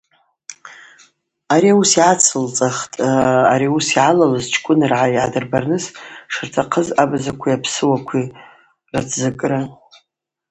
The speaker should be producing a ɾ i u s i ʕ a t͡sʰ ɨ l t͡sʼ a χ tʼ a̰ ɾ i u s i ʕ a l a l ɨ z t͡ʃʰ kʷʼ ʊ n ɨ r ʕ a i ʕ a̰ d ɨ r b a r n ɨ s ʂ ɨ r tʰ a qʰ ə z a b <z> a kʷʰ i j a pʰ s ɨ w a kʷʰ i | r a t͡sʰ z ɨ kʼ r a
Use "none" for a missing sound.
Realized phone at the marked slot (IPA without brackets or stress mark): z